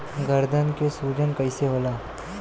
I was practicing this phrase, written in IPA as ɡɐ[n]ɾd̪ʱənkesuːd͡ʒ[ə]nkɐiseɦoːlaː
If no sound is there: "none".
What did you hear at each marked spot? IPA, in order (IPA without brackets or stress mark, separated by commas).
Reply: none, ə